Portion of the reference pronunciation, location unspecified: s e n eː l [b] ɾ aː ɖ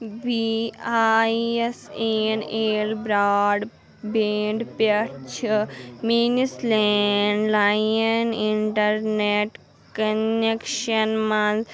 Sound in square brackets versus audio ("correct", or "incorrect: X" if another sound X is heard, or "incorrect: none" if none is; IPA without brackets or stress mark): correct